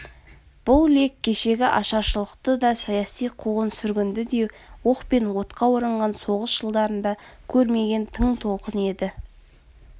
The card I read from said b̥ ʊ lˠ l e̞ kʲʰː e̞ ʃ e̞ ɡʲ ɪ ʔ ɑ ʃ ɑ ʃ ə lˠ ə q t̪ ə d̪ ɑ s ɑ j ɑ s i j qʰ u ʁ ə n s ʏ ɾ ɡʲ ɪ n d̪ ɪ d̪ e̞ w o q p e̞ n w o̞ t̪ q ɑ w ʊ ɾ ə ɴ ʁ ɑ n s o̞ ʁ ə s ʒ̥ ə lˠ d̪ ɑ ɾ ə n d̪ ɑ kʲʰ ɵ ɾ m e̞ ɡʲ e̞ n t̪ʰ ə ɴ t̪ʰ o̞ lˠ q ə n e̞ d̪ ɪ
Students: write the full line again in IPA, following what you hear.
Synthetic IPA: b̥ ʊ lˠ l e̞ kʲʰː e̞ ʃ e̞ ɡʲ ɪ ʔ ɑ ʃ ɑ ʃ ə lˠ ə q t̪ ə d̪ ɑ s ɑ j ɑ s i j qʰ u ʁ ə n s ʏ ɾ ɡʲ ɪ n d̪ ɪ d̪ e̞ w o q p e̞ n w o̞ t̪ q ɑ w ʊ ɾ ə ɴ ʁ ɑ n s o̞ ʁ ə s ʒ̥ ə lˠ d̪ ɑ ɾ ə n d̪ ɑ kʲʰ ɵ ɾ m e̞ ɡʲ e̞ n t̪ʰ ə ɴ t̪ʰ o̞ lˠ q ə n e̞ d̪ ɪ